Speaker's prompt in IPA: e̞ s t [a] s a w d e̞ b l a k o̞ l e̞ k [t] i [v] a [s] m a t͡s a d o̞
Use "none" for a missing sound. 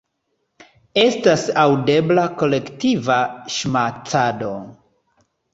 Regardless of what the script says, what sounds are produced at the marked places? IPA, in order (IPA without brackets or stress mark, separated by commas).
a, t, v, ʃ